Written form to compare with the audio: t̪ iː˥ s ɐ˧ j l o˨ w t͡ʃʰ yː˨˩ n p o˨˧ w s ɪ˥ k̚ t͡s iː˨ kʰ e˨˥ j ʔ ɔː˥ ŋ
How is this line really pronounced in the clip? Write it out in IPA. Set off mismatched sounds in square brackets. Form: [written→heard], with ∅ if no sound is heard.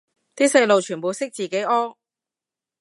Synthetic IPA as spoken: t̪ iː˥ s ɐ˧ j l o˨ w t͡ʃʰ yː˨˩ n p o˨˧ w s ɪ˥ k̚ t͡s iː˨ [kʰ→k] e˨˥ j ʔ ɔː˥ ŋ